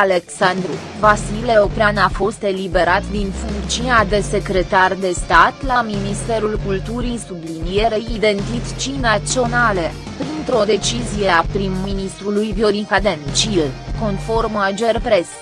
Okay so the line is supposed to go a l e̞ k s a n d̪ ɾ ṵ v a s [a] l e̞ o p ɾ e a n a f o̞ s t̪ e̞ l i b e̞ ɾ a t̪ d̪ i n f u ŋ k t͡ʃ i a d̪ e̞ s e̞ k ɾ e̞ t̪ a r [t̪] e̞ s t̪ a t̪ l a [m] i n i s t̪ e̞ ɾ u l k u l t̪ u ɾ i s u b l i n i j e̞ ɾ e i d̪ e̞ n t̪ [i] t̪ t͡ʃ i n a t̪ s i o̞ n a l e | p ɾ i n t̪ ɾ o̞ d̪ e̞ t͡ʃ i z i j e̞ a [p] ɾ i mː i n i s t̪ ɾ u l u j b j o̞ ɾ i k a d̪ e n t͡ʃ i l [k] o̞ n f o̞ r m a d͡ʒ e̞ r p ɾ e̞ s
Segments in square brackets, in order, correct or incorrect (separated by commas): incorrect, incorrect, correct, correct, correct, correct